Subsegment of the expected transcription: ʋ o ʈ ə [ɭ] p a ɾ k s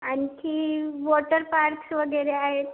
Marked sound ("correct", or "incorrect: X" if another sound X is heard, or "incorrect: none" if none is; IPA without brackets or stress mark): incorrect: ɾ